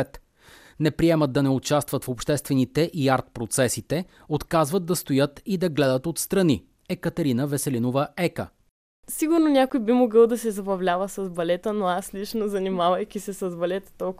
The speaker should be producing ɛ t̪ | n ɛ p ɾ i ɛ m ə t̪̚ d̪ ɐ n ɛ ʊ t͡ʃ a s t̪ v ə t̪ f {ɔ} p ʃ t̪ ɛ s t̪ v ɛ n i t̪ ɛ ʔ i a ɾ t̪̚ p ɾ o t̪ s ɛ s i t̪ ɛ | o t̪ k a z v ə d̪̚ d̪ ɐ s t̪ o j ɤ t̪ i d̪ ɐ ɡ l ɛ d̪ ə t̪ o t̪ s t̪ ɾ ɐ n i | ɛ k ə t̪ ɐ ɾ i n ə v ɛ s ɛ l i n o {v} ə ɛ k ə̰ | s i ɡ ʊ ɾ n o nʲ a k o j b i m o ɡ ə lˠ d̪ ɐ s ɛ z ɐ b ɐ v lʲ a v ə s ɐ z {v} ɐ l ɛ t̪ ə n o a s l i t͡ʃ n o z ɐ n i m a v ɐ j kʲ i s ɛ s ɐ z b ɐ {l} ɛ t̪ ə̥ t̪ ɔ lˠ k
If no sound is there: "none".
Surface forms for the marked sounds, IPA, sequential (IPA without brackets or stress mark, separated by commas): o, v, b, l